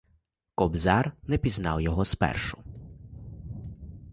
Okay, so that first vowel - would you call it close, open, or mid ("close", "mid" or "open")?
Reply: mid